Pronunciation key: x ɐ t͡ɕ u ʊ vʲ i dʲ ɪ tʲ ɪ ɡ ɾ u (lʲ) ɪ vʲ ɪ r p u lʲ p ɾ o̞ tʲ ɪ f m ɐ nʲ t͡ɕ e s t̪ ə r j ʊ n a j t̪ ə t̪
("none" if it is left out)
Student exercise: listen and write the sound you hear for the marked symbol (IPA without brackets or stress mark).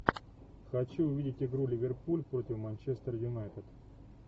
lʲ